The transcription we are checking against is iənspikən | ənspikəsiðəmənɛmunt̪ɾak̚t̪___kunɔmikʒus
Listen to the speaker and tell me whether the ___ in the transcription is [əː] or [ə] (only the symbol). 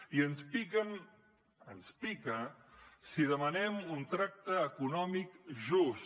əː